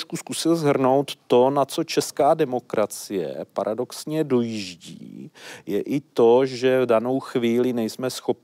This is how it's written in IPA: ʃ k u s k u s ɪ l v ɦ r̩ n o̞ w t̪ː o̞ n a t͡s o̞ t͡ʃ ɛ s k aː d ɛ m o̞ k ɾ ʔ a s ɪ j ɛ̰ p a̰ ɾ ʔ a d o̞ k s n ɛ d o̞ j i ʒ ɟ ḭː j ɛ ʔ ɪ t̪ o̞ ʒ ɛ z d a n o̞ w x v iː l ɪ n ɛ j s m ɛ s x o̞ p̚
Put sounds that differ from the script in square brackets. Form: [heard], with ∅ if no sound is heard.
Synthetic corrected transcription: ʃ k u s k u s ɪ l [z] ɦ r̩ n o̞ w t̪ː o̞ n a t͡s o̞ t͡ʃ ɛ s k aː d ɛ m o̞ k ɾ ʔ a [t͡s] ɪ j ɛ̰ p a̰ ɾ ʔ a d o̞ k s [ɲ] ɛ d o̞ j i ʒ ɟ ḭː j ɛ ʔ ɪ t̪ o̞ ʒ ɛ [v] d a n o̞ w x v iː l ɪ n ɛ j s m ɛ s x o̞ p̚